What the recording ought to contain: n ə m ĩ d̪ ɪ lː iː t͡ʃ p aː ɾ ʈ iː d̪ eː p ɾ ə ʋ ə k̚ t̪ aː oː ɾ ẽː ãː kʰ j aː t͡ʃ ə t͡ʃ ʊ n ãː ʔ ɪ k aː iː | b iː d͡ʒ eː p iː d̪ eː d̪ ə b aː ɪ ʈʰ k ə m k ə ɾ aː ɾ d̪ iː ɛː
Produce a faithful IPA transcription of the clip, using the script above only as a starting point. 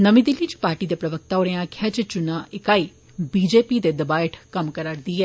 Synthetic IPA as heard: n ə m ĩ d̪ ɪ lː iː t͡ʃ p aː ɾ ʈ iː d̪ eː p ɾ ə ʋ ə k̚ t̪ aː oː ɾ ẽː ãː kʰ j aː t͡ʃ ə t͡ʃ ʊ n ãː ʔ ɪ k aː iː | b iː d͡ʒ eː p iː d̪ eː d̪ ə b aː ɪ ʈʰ k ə m k ə ɾ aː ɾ d̪ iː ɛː